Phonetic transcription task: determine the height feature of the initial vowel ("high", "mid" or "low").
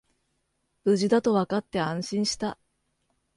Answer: high